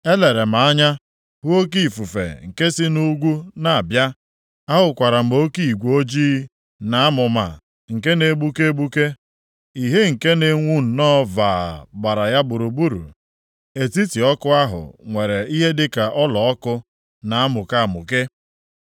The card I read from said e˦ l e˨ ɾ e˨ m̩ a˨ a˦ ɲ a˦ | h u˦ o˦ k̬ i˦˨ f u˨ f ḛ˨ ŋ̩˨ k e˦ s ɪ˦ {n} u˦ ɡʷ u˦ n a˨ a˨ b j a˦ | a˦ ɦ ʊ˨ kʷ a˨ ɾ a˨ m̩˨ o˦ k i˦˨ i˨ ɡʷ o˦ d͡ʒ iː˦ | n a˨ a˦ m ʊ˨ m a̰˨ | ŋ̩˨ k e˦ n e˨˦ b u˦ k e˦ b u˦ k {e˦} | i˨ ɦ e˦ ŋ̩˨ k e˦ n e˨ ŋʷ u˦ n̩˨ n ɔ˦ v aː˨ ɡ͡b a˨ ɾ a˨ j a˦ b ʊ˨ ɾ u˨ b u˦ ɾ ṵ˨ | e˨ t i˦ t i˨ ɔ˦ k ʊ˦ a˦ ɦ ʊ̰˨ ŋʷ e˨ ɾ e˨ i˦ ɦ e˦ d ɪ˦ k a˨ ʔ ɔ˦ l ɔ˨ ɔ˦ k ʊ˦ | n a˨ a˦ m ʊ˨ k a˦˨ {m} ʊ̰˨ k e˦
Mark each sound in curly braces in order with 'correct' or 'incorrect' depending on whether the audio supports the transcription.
correct, correct, correct

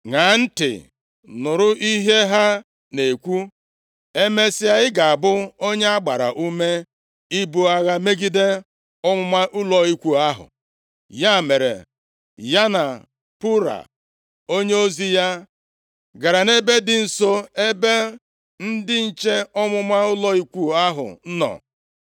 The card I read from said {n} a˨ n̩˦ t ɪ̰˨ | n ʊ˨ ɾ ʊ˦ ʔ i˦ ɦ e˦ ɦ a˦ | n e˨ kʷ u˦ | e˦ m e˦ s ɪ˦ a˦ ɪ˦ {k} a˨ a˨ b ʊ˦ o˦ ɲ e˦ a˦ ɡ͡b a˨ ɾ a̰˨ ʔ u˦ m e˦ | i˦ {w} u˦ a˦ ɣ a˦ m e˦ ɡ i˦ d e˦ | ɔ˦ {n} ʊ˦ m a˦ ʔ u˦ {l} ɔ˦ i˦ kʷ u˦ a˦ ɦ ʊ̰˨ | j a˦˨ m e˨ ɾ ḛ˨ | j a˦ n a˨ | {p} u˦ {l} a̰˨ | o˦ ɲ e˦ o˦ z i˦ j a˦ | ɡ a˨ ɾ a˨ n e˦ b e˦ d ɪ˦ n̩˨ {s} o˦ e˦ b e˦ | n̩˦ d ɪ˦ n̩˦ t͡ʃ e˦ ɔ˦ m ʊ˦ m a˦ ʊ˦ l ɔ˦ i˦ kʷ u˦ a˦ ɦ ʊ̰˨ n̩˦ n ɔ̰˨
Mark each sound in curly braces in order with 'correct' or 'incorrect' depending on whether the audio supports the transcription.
incorrect: ŋ, incorrect: ɡ, incorrect: b, incorrect: m, correct, correct, incorrect: ɾ, correct

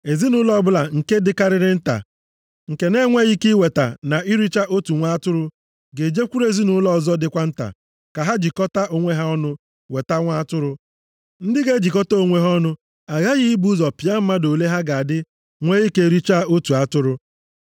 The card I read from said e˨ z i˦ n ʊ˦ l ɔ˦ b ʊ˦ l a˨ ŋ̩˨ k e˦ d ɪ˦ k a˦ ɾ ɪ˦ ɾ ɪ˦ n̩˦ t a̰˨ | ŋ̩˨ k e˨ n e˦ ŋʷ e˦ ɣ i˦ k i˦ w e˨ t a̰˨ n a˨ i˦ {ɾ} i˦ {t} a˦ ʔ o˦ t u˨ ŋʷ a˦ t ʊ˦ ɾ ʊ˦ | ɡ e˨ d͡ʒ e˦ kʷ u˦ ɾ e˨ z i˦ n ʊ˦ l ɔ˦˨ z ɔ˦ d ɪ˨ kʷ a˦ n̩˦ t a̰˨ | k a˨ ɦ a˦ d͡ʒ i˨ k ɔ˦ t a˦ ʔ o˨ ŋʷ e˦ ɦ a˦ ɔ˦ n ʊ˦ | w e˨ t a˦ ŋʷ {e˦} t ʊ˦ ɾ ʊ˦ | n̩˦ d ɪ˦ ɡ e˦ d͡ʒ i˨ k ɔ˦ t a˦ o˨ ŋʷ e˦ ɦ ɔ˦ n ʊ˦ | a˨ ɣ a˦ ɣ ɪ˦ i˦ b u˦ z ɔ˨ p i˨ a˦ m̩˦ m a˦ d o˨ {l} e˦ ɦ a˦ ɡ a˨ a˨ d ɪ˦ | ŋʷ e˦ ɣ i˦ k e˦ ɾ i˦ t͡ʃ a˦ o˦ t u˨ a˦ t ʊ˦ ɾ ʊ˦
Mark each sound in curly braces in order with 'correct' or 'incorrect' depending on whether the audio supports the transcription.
correct, incorrect: t͡ʃ, incorrect: a˦, correct

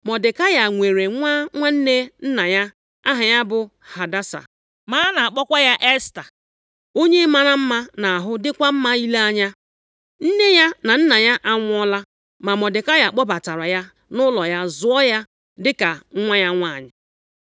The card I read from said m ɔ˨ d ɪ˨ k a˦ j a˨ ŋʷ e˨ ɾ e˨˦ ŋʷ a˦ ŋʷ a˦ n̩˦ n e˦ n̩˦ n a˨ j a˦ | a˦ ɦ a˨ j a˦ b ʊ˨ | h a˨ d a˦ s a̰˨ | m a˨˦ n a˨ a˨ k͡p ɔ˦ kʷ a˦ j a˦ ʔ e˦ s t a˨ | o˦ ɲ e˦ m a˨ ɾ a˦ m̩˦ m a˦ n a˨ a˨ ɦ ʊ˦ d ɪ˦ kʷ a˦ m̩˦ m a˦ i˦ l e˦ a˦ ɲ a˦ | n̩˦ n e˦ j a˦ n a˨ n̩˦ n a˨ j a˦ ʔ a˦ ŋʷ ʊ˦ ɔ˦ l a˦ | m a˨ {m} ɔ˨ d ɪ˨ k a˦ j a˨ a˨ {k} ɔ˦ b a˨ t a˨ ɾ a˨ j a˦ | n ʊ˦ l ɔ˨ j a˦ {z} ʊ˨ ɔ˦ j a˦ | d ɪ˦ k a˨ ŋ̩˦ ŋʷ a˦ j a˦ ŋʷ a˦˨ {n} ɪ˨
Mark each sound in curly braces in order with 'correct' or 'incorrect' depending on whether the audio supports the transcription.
correct, incorrect: k͡p, correct, incorrect: ɲ

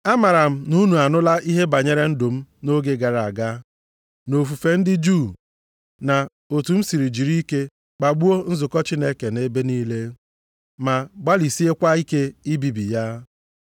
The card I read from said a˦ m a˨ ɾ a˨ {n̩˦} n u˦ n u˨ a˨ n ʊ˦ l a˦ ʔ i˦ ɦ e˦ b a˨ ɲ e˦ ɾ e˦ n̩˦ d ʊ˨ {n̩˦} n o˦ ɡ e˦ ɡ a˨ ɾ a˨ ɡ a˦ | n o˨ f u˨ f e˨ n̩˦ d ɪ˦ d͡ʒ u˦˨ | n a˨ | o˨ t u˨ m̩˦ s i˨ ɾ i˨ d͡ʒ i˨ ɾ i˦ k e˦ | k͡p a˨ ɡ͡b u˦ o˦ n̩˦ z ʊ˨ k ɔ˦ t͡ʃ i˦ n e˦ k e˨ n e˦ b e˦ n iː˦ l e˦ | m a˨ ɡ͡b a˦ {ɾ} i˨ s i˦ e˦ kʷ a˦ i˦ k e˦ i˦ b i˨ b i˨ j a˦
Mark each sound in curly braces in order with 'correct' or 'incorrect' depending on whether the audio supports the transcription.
incorrect: m̩˦, incorrect: m̩˦, incorrect: l

